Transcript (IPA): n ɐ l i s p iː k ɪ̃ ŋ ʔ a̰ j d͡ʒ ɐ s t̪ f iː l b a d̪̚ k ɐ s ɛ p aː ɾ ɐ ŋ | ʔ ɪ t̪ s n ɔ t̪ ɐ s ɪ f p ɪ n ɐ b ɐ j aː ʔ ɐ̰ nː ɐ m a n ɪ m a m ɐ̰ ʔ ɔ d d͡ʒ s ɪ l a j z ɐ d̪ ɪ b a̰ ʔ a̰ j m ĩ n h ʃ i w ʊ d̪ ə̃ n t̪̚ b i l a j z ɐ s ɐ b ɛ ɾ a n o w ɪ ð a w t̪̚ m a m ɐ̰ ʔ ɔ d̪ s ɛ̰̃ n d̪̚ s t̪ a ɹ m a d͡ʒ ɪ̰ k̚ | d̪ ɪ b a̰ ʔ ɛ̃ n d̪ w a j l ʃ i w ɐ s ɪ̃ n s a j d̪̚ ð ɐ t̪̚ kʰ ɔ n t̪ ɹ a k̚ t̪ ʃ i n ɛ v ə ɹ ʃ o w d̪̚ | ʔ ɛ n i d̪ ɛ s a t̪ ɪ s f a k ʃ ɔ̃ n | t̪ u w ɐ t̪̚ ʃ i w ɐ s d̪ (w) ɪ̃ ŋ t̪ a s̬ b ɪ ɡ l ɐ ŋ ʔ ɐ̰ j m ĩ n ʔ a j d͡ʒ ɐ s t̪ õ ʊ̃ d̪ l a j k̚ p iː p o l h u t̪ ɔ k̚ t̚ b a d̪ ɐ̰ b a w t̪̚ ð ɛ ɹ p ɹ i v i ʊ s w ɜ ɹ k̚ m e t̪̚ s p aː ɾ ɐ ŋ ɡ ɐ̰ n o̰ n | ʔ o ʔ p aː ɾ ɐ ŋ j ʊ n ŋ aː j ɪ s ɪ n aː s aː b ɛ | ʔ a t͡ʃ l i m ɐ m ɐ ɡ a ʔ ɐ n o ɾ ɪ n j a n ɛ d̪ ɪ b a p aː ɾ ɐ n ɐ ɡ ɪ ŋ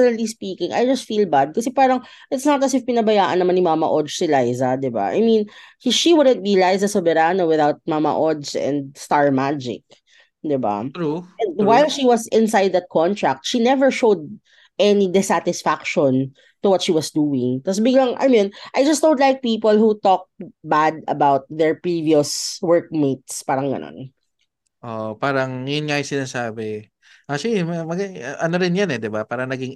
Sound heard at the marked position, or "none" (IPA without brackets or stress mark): u